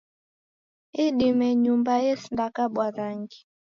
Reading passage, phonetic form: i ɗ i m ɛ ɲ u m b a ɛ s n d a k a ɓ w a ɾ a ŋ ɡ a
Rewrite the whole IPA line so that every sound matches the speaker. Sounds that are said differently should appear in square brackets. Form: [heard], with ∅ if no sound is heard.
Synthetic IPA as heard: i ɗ i m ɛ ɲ u m b a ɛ s n d a k a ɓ w a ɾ a ŋ ɡ [i]

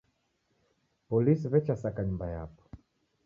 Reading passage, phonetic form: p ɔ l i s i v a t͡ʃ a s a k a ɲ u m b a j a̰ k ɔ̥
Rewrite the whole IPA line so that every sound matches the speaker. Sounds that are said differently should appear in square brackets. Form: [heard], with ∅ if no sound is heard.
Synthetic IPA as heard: p ɔ l i s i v [ɛ] t͡ʃ a s a k a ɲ u m b a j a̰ [p] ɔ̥

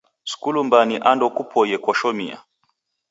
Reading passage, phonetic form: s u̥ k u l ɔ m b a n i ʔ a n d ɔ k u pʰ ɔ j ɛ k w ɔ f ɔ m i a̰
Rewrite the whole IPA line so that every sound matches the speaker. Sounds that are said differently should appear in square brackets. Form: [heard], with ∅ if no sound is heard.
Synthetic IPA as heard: s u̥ k u l [u] m b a n i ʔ a n d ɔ k u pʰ ɔ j ɛ k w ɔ [ʃ] ɔ m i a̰

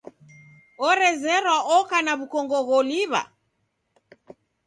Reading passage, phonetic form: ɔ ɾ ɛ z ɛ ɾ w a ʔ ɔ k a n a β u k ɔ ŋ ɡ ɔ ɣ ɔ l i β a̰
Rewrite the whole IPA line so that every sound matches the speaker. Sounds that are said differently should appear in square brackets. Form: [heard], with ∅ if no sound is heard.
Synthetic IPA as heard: ɔ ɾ ɛ z ɛ ɾ w a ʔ ɔ k a n a β u k ɔ ŋ ɡ ɔ ɣ ɔ l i β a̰

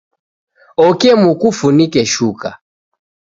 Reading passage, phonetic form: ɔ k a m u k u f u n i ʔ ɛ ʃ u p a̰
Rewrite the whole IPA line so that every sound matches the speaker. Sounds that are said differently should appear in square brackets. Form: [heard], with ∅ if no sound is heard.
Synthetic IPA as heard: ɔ k [ɛ] m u k u f u n i [k] ɛ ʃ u [k] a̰

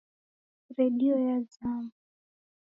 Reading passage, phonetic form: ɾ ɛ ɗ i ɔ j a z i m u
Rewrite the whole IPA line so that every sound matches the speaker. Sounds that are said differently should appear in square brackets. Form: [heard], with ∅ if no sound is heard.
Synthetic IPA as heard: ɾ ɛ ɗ i ɔ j a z [a] m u

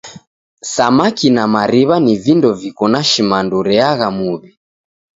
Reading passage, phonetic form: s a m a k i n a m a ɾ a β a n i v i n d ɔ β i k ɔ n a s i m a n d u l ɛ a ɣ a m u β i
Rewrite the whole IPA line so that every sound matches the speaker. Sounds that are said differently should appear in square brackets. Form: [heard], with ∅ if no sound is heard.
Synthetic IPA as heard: s a m a k i n a m a ɾ [i] β a n i v i n d ɔ [v] i k ɔ n a [ʃ] i m a n d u [ɾ] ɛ a ɣ a m u β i

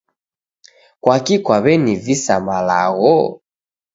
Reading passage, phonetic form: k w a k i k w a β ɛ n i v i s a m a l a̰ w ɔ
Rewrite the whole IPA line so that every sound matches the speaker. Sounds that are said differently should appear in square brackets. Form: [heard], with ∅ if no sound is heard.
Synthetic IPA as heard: k w a k i k w a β ɛ n i v i s a m a l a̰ [ɣ] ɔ

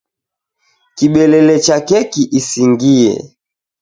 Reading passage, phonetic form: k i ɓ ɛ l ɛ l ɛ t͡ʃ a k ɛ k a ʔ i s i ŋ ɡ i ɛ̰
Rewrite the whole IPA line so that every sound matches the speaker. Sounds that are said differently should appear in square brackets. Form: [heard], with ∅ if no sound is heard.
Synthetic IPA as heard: k i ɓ ɛ l ɛ l ɛ t͡ʃ a k ɛ k [i] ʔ i s i ŋ ɡ i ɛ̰

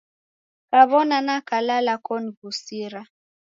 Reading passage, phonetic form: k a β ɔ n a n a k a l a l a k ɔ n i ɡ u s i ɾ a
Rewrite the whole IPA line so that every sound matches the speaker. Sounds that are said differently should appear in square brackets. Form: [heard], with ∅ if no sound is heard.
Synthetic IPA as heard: k a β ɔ n a n a k a l a l a k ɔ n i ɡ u s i ɾ a

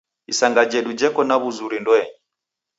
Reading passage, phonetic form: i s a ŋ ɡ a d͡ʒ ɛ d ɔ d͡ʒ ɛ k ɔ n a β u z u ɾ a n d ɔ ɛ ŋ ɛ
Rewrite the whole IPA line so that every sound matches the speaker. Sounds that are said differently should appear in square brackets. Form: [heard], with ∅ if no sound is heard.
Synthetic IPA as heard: i s a ŋ ɡ a d͡ʒ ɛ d [u] d͡ʒ ɛ k ɔ n a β u z u ɾ [i] n d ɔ ɛ [ɲ] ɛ

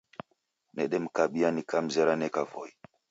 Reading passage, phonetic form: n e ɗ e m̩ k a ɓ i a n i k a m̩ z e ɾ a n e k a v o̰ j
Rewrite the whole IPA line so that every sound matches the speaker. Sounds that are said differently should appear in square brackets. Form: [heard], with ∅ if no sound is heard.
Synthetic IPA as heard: n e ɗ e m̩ k a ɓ i a n i k a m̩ z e ɾ a n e k a v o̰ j

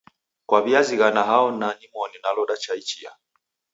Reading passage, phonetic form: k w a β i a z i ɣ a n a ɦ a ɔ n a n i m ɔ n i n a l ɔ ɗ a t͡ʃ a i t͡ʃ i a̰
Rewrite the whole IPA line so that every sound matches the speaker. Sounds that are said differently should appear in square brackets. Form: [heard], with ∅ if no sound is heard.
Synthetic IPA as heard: k w a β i a z i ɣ a n a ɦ a ɔ n a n i m ɔ n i n a l ɔ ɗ a t͡ʃ a i t͡ʃ i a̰

